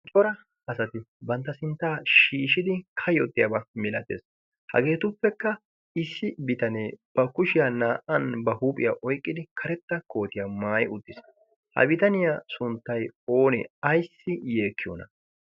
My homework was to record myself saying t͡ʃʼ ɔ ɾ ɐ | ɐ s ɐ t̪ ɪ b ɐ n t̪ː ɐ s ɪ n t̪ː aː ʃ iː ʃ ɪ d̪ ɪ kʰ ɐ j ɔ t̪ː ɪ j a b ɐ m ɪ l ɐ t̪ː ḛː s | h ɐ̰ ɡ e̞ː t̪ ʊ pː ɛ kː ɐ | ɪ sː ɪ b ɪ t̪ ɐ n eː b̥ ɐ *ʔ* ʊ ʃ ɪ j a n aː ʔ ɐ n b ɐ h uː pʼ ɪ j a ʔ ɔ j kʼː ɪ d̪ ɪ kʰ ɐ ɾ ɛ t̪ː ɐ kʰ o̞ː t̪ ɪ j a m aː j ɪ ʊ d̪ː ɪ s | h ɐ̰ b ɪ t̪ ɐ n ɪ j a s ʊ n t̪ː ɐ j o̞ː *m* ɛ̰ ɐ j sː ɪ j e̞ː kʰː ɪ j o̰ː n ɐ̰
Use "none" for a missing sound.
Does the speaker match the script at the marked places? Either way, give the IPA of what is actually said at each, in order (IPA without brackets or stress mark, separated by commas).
k, n